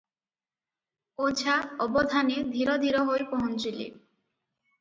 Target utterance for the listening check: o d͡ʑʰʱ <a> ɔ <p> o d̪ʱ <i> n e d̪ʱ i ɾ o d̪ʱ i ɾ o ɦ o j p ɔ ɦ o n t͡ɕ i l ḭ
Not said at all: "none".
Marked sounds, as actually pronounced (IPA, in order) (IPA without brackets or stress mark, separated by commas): a, b, a